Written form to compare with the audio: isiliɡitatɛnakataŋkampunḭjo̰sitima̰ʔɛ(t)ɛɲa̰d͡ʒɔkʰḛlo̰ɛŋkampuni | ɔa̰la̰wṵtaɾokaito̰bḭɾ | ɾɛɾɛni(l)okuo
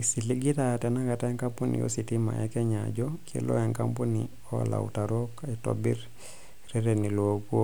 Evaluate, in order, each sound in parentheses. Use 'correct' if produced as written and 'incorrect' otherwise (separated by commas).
incorrect, correct